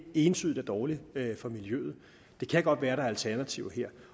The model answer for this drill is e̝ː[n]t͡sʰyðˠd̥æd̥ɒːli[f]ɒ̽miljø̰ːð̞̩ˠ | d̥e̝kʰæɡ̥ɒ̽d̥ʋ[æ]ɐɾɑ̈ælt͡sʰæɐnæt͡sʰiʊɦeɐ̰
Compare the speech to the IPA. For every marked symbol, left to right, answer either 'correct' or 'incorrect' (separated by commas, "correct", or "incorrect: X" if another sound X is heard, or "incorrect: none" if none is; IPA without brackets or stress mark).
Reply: correct, correct, incorrect: æː